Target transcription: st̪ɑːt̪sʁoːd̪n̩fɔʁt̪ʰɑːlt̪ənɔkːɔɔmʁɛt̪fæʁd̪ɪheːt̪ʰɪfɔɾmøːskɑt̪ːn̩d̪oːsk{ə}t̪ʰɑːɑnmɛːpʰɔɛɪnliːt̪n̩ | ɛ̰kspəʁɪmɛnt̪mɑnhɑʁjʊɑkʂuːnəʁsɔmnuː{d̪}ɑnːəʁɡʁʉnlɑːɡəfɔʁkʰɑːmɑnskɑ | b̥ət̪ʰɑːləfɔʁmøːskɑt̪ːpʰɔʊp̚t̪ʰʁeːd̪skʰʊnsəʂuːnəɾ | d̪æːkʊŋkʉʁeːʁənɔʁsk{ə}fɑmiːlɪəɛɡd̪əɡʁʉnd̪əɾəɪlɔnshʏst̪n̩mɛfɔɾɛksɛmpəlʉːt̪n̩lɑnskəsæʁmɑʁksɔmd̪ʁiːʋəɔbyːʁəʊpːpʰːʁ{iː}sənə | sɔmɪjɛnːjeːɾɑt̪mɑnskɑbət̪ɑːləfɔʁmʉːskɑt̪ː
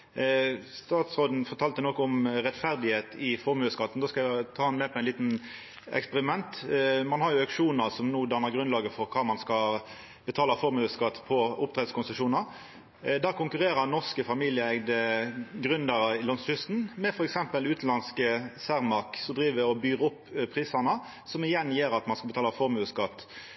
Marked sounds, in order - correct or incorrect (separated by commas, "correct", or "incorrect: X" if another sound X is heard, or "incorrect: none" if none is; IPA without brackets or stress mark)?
incorrect: ɑ, correct, correct, correct